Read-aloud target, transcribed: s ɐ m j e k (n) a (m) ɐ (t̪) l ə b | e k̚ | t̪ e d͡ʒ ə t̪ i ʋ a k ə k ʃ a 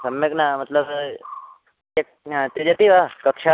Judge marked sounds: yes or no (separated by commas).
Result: yes, yes, yes